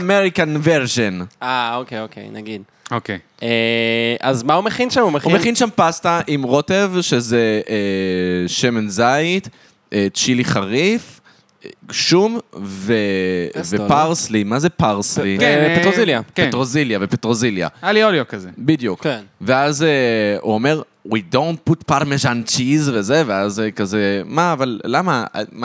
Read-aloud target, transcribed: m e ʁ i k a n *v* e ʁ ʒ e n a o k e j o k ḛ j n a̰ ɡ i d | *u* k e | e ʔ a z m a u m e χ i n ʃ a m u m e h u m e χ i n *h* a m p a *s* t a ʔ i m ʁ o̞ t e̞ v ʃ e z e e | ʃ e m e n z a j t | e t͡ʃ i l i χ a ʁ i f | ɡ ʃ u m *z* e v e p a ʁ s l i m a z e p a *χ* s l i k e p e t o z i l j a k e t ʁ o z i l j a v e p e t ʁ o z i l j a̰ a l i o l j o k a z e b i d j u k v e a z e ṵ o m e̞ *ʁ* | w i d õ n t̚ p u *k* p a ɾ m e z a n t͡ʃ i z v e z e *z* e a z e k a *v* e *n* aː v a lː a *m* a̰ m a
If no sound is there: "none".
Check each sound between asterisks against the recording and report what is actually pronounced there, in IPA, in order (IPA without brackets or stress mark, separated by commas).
v, o, ʃ, s, v, ʁ, ʁ, t, v, z, m, m